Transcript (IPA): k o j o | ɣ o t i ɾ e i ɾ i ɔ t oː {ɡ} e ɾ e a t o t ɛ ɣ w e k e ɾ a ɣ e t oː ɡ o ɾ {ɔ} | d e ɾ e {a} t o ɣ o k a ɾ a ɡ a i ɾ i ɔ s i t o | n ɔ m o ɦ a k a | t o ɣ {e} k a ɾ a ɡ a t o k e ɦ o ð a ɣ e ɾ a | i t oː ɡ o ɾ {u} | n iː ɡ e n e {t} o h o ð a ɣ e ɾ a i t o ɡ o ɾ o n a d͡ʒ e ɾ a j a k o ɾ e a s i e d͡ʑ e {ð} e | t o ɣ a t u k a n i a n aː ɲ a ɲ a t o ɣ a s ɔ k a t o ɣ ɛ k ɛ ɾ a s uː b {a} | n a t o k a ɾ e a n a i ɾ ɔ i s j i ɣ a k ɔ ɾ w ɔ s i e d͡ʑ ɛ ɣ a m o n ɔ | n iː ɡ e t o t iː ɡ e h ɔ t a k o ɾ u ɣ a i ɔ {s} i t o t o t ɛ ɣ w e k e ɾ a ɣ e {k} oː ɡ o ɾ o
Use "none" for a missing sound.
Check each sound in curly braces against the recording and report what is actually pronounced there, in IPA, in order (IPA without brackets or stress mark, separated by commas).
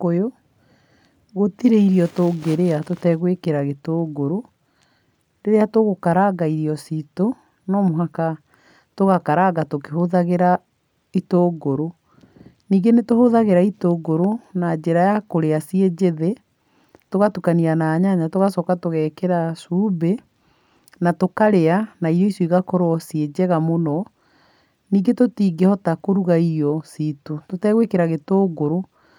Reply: ɡ, o, a, a, o, t, ð, e, s, t